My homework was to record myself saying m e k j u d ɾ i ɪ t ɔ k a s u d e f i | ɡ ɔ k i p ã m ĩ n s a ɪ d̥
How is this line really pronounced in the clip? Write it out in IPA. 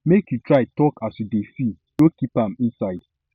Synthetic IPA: m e k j u t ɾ a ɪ t ɔ k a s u d e f i | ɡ o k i p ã m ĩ n s a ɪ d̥